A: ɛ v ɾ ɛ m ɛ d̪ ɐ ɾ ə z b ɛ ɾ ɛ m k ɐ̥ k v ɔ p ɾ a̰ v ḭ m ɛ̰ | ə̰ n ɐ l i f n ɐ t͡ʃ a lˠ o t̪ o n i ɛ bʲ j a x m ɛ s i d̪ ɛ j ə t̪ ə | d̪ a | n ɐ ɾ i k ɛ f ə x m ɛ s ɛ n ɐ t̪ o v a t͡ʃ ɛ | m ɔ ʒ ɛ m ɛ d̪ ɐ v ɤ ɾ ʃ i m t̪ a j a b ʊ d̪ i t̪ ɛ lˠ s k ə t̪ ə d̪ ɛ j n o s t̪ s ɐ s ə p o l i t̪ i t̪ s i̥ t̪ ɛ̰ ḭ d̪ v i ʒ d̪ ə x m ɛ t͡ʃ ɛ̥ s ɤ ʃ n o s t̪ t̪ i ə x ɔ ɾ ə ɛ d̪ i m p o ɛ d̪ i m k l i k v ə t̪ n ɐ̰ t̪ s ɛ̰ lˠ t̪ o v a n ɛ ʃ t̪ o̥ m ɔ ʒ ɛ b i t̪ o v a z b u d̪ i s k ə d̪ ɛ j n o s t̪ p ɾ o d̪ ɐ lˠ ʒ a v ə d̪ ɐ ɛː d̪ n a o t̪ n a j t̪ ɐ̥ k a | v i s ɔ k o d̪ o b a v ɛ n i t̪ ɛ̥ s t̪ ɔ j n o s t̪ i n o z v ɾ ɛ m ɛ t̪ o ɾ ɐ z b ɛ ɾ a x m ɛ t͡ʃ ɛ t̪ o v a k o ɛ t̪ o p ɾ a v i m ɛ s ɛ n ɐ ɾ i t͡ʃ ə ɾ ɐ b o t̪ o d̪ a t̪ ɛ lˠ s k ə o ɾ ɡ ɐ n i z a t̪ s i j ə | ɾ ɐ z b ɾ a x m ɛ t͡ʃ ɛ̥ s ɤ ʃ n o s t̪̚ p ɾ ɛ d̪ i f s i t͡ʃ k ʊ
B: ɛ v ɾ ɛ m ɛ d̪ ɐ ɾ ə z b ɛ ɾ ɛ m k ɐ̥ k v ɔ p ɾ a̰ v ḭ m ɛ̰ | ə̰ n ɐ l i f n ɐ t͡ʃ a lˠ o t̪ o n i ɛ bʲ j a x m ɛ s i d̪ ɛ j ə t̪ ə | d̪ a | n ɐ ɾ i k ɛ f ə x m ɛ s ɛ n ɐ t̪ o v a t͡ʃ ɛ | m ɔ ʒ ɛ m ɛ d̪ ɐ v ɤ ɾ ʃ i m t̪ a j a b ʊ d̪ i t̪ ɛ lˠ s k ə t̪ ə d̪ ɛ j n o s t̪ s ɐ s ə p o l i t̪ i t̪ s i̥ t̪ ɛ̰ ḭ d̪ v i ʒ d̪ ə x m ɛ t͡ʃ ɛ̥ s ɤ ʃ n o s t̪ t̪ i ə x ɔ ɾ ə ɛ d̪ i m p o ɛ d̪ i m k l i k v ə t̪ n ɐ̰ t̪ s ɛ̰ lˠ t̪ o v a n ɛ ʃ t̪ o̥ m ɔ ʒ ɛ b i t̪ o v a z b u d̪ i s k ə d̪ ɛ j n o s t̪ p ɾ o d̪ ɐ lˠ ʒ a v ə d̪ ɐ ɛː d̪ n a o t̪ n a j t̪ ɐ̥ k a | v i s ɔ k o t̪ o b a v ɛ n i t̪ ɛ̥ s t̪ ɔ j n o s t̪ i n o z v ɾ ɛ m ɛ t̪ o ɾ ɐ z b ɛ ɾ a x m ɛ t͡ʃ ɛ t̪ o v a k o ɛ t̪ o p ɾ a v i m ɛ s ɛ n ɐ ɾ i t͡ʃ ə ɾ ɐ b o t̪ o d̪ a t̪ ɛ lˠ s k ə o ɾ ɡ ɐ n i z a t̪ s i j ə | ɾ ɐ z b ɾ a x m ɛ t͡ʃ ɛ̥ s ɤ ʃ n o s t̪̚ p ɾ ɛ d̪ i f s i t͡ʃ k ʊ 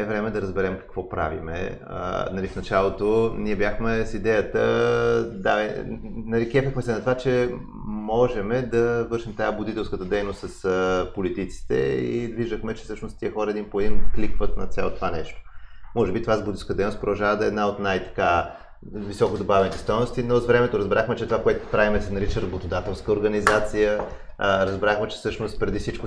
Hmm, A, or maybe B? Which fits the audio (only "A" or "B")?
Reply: A